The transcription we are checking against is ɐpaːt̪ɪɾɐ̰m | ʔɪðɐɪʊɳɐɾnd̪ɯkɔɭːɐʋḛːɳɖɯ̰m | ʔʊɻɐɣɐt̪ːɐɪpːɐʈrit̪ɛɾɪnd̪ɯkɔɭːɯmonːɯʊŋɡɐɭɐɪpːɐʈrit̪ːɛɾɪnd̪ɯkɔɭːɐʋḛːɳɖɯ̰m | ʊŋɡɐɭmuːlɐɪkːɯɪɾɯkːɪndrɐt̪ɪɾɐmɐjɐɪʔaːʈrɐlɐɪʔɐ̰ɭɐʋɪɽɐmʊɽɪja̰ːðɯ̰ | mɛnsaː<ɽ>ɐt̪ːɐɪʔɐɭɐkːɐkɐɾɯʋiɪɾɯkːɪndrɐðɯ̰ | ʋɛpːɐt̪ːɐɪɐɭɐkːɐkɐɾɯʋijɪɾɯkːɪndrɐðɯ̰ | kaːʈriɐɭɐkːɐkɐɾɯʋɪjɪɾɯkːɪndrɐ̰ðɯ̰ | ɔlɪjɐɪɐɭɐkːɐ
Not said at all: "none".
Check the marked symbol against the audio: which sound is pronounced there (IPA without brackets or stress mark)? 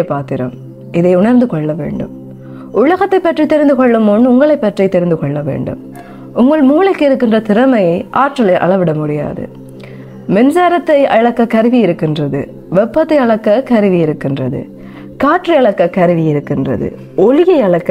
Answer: ɾ